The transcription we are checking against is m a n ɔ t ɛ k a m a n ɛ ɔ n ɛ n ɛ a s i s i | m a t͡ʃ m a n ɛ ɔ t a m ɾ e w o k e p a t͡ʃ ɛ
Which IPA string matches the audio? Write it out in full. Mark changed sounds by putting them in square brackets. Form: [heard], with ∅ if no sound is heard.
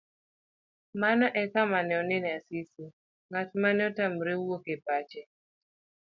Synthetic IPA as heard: m a n ɔ [ʔ] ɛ k a m a n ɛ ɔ n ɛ n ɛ a s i s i | [ŋ] a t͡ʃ m a n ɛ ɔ t a m ɾ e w o k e p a t͡ʃ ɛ